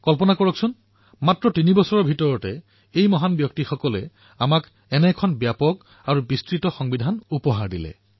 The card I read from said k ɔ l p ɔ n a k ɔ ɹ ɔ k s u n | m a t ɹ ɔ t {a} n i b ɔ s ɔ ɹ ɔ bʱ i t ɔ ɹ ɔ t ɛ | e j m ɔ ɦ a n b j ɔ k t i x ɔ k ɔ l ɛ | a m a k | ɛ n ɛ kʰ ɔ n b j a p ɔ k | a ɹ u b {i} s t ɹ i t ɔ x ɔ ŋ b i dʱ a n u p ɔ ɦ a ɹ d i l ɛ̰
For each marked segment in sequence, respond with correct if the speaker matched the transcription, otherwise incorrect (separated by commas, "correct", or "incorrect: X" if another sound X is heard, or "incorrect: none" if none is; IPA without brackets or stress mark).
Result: incorrect: i, correct